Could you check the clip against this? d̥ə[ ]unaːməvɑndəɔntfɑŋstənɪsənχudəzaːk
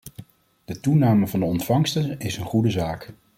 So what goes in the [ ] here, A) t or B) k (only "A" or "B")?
A